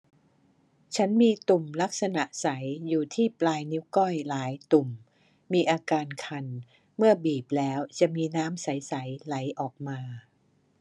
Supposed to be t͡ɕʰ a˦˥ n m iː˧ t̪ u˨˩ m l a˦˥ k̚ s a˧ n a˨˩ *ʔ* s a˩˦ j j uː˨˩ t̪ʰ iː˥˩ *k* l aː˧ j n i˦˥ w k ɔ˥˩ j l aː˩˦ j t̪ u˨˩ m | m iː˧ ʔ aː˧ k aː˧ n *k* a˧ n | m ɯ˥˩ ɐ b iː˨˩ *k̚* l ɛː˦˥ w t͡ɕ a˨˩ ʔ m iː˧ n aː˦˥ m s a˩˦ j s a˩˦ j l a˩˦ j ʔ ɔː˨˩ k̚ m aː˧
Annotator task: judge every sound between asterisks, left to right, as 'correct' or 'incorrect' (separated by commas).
correct, incorrect, incorrect, incorrect